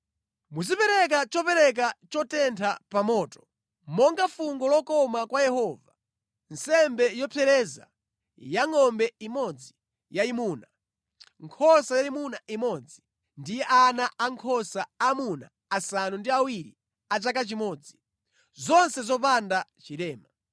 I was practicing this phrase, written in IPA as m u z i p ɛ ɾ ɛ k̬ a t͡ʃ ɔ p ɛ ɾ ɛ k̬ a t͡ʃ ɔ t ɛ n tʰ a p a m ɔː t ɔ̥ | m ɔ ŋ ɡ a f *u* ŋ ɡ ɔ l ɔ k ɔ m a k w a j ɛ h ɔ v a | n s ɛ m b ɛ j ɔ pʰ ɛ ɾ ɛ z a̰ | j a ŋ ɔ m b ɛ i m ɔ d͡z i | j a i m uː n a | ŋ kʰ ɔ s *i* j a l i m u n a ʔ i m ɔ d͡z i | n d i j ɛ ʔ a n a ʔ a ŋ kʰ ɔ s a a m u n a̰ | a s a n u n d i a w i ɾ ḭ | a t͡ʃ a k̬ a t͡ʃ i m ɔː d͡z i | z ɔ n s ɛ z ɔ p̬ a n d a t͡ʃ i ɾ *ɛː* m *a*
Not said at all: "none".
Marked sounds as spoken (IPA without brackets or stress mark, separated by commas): u, a, ɛː, a